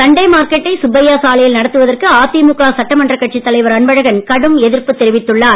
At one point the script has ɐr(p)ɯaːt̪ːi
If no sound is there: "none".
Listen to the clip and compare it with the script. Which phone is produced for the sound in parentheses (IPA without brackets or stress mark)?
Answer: k